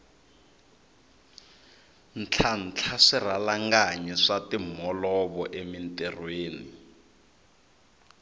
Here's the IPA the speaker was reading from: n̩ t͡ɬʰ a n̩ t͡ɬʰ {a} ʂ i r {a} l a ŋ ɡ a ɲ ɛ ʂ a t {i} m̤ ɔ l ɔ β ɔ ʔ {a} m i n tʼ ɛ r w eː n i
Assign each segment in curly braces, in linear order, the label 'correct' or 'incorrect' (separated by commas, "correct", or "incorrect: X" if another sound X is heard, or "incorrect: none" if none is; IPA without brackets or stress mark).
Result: correct, correct, correct, incorrect: e